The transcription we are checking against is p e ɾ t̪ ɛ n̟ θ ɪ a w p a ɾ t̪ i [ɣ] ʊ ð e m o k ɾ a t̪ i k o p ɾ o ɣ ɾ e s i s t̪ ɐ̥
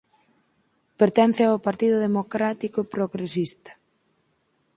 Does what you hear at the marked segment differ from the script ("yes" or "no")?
yes